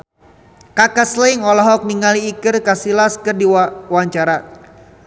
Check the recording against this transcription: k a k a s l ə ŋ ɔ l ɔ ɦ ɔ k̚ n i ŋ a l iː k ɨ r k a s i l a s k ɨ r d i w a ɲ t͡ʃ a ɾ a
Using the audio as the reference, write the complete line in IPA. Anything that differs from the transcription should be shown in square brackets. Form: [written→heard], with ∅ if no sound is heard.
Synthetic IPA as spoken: k a k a s l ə ŋ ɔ l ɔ ɦ ɔ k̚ n i ŋ a l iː k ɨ r k a s i l a s k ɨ r d i w a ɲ t͡ʃ a ɾ a